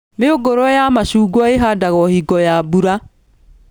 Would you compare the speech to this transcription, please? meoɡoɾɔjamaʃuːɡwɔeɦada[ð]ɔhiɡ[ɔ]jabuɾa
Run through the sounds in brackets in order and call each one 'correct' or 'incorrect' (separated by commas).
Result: incorrect, correct